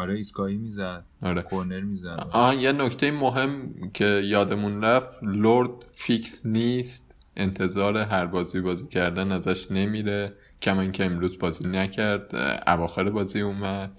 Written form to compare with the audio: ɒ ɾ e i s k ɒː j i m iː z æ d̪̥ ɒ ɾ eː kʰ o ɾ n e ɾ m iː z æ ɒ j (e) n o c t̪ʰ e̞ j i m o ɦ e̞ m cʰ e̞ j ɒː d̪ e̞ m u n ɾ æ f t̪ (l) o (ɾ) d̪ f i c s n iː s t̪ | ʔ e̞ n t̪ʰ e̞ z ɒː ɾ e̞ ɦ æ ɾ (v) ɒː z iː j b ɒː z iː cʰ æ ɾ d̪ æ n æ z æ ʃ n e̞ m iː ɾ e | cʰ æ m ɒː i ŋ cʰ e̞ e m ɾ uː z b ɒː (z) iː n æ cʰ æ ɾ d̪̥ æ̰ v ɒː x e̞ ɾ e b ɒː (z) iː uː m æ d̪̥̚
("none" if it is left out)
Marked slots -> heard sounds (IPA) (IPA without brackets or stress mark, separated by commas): e, l, ɾ, b, z, z